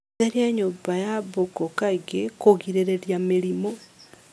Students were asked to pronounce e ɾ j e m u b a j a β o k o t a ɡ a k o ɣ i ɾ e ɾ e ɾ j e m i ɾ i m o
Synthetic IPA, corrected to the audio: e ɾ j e ɲ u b a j a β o k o k a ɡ e k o ɣ i ɾ e ɾ e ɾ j a m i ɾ i m o